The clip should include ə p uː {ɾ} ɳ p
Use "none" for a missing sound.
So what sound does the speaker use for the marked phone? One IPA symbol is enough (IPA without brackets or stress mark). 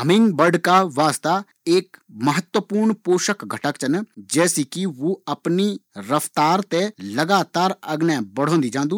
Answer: ɾ